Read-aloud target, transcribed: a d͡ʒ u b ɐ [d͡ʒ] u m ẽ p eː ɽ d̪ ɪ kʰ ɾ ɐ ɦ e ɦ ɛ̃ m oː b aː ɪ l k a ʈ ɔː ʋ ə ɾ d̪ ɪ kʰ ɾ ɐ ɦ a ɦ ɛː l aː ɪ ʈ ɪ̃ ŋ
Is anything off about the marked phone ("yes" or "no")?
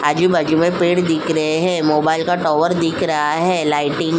no